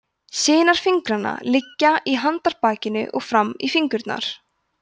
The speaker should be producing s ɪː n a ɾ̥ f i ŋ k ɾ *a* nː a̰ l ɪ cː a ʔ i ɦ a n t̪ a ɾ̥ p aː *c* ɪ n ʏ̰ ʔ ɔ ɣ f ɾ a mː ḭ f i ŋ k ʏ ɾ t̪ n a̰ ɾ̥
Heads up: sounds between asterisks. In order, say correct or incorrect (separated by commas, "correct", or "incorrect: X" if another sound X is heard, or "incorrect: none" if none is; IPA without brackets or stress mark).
correct, correct